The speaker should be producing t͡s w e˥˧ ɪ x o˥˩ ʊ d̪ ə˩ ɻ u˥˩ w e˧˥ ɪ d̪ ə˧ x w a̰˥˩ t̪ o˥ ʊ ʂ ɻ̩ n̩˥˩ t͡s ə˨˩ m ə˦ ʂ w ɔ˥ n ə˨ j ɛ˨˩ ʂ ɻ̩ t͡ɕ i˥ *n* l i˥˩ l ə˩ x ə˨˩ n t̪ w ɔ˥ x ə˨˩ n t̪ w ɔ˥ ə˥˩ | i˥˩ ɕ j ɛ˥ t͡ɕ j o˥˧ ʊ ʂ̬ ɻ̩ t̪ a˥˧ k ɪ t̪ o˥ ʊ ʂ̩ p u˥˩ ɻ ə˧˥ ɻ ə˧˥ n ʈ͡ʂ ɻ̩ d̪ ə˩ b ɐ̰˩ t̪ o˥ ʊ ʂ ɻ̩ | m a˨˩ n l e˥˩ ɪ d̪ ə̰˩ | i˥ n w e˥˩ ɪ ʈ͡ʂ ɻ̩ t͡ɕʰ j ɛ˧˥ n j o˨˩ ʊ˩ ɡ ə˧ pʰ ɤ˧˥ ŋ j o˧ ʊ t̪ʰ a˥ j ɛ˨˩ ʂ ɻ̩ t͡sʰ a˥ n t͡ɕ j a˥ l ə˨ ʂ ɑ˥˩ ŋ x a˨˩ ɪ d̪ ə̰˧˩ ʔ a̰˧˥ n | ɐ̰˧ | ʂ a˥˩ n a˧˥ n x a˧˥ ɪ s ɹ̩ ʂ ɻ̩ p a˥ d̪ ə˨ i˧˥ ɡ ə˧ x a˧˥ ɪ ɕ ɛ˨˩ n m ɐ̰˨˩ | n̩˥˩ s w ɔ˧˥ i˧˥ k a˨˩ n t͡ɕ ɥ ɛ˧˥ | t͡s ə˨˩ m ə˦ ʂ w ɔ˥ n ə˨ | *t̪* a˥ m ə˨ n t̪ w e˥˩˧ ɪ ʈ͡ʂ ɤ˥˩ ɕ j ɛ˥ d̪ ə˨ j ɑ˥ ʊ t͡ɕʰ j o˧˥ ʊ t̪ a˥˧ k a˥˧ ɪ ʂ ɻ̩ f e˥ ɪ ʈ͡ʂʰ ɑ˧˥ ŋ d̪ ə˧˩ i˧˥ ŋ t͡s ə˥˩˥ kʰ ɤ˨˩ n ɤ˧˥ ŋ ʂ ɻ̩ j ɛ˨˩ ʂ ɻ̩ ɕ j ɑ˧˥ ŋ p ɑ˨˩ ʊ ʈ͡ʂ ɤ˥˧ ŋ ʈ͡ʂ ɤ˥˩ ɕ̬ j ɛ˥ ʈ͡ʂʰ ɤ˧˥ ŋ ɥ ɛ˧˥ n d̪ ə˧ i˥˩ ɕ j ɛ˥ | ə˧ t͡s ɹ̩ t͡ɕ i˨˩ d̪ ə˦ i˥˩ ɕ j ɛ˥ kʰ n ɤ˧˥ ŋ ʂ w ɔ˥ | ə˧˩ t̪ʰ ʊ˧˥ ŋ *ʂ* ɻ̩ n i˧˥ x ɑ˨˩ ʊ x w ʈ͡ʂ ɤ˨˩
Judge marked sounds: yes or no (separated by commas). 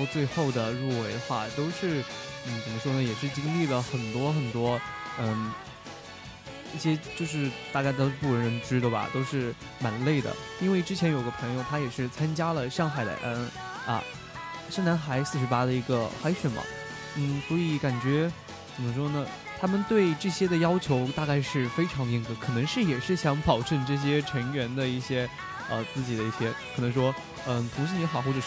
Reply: no, no, yes